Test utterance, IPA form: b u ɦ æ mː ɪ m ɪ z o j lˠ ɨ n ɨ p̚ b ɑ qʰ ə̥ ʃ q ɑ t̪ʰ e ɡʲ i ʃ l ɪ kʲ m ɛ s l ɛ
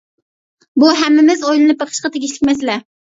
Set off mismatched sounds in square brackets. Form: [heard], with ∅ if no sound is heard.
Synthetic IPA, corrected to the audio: b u ɦ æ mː ɪ m ɪ z o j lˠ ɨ n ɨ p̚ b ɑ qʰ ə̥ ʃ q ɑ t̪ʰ e ɡʲ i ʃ l ɪ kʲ m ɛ s l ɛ